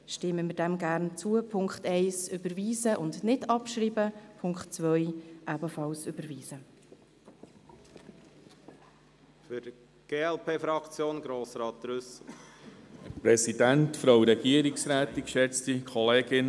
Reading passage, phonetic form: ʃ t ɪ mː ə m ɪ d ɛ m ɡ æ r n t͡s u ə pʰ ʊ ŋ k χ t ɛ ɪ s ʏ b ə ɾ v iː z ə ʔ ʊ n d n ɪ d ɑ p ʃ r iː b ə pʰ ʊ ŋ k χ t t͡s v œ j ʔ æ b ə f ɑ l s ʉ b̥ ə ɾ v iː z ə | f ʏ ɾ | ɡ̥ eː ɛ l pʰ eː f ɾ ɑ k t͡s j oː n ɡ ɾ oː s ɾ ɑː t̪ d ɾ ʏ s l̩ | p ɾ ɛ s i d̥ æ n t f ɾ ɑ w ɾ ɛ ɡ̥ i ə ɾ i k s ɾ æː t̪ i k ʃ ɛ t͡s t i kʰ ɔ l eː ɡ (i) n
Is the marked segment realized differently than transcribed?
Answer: yes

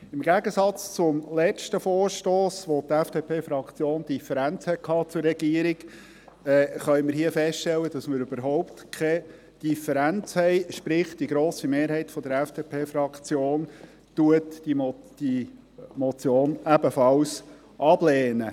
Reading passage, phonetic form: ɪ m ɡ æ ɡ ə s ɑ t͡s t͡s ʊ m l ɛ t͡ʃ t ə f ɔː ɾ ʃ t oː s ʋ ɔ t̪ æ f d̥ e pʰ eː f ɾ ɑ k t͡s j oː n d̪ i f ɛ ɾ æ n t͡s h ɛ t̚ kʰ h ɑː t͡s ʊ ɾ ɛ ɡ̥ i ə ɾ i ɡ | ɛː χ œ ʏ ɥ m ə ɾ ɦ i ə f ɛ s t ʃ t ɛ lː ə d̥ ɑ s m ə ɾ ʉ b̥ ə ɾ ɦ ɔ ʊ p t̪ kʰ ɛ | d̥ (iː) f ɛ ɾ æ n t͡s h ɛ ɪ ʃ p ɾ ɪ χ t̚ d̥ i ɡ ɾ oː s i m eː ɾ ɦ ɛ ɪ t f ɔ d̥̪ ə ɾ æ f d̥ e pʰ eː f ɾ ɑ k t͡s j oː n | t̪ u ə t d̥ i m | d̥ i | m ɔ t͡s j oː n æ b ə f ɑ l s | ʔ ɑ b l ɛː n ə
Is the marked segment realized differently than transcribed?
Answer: yes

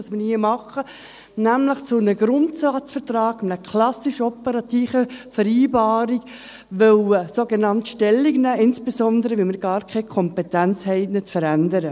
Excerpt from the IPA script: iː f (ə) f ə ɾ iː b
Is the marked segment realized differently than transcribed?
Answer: no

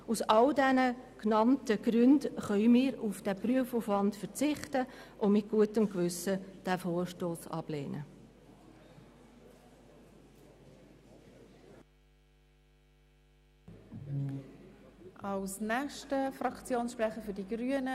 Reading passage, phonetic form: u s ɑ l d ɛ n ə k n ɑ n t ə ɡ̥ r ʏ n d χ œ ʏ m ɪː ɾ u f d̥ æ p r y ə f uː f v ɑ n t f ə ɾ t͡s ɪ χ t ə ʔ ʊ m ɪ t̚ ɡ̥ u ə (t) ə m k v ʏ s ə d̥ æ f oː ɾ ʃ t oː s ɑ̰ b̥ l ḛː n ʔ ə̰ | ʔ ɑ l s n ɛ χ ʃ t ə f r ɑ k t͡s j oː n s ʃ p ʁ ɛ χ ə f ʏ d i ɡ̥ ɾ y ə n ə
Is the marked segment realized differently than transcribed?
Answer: no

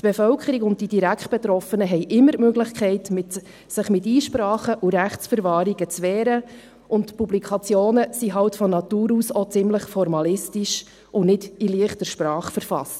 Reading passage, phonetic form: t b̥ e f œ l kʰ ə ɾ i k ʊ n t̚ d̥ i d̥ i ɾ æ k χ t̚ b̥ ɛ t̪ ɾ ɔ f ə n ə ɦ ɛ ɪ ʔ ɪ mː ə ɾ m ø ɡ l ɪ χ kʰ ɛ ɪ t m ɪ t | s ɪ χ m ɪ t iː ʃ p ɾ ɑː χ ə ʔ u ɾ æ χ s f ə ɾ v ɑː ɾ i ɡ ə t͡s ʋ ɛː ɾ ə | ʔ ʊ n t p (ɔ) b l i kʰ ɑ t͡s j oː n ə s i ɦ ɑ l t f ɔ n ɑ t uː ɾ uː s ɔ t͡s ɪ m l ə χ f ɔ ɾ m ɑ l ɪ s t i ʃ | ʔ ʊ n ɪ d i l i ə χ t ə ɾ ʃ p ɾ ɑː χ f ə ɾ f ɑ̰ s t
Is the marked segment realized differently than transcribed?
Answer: yes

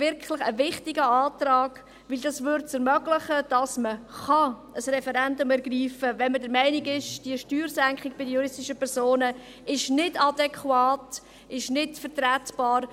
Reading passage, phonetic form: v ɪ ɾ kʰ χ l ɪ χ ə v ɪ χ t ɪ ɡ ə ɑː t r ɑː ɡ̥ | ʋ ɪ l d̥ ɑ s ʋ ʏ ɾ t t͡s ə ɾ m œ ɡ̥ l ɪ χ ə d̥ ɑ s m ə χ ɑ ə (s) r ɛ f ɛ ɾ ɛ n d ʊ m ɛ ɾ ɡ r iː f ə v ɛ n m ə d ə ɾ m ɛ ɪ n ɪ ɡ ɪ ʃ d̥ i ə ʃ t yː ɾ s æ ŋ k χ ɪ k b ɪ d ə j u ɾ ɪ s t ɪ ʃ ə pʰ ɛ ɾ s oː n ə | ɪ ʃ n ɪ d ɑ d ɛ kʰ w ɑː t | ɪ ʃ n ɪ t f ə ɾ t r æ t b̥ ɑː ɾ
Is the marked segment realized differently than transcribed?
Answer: no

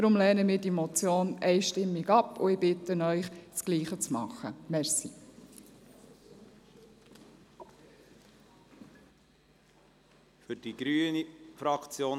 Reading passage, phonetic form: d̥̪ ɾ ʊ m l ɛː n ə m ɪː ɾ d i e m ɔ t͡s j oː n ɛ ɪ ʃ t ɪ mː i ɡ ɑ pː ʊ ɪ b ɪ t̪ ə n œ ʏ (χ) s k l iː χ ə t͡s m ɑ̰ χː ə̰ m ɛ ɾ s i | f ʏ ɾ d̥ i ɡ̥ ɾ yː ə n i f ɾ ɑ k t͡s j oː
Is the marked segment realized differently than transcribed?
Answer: no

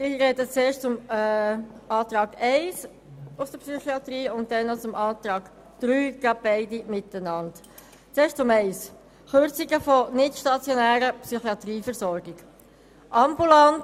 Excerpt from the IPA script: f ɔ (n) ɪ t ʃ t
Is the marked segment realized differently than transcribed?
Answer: no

